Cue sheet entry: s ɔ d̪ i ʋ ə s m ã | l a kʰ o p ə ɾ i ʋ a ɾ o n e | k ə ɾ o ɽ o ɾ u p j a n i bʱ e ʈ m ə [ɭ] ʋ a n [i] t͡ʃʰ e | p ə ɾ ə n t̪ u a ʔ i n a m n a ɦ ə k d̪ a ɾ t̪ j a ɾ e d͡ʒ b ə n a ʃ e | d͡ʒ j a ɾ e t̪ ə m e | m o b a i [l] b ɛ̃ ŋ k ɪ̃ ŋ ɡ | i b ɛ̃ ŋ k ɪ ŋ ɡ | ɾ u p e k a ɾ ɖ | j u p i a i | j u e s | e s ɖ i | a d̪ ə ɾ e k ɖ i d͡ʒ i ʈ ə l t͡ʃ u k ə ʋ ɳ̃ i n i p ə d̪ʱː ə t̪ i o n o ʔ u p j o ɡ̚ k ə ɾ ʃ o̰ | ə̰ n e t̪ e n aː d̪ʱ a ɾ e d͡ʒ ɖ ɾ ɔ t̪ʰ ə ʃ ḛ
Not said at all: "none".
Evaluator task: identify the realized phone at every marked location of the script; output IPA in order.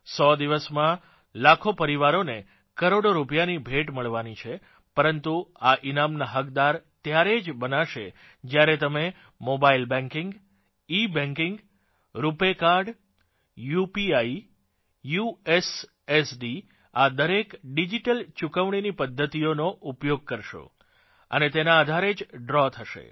ɭ, i, l

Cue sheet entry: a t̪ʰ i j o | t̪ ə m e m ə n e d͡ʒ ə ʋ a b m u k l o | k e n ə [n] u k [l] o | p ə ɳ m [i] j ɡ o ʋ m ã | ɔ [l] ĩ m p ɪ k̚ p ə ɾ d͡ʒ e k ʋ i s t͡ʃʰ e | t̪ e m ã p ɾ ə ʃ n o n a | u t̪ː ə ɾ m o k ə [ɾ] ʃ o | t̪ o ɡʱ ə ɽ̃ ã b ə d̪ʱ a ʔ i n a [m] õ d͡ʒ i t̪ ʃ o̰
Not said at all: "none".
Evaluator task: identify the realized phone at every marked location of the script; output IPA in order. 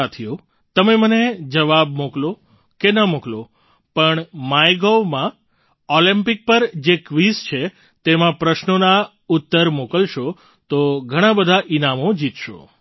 m, l, a, l, l, m

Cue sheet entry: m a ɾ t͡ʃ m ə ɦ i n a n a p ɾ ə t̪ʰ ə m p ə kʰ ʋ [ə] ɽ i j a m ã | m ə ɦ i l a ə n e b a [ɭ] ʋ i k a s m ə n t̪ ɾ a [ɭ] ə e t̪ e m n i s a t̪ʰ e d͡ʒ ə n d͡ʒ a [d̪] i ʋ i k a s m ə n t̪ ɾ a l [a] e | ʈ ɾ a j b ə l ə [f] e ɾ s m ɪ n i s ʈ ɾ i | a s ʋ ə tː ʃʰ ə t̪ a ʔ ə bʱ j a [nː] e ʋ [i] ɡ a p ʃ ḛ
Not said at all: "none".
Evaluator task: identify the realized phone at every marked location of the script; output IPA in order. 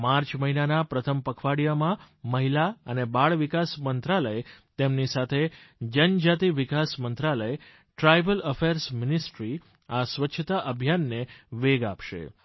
a, ɭ, l, t̪, ə, f, nː, e

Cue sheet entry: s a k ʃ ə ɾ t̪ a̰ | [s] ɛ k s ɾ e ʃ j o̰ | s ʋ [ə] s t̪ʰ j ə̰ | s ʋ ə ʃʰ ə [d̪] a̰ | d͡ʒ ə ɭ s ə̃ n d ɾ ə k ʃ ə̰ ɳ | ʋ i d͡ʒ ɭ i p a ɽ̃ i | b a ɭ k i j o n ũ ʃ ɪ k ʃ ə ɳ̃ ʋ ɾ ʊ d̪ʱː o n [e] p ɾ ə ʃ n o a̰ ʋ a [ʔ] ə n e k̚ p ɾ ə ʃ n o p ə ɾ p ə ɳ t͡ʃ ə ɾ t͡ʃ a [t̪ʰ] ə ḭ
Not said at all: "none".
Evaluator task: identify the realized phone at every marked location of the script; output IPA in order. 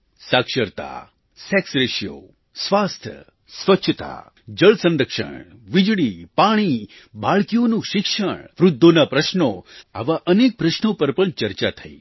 s, a, t̪, a, ʔ, t̪ʰ

